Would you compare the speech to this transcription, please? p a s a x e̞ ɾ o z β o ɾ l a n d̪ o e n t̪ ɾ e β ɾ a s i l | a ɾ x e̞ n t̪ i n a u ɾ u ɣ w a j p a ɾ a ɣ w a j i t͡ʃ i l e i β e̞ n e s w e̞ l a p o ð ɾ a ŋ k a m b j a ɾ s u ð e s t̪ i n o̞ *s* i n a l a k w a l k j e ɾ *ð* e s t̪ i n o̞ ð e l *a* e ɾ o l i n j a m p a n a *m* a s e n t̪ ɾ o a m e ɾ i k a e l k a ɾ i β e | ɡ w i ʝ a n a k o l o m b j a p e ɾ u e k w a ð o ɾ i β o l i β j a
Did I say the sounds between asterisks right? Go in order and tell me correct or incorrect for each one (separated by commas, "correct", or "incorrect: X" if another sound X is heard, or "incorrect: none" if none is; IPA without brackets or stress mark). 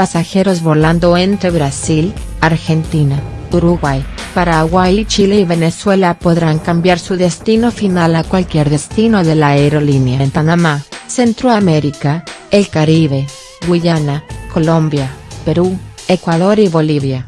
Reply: incorrect: f, correct, correct, correct